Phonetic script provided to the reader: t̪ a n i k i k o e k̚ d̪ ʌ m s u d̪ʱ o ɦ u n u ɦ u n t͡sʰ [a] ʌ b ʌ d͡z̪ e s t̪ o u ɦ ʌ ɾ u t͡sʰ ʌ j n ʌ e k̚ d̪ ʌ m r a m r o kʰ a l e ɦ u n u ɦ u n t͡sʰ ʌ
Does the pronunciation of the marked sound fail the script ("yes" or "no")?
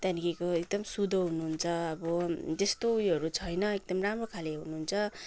yes